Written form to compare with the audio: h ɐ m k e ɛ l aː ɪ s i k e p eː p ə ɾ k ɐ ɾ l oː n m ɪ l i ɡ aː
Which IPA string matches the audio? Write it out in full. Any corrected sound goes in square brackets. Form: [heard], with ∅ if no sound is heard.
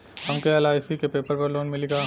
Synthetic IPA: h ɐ m k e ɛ l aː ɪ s i k e p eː p ə ɾ [p] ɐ ɾ l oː n m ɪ l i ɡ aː